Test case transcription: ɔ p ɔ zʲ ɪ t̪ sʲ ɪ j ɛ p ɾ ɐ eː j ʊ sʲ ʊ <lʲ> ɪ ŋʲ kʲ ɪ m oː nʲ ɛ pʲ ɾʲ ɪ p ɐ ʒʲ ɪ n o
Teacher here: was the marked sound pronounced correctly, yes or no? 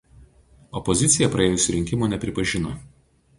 no